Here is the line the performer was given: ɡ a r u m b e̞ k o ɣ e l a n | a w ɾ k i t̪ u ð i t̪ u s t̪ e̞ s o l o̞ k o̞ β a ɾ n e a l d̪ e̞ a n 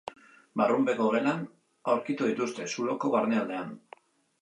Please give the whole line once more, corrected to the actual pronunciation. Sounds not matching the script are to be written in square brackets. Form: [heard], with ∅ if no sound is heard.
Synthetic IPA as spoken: [b] a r u m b e̞ k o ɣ e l a n | a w ɾ k i t̪ u ð i t̪ u s t̪ e̞ s [u] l o̞ k o̞ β a ɾ n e a l d̪ e̞ a n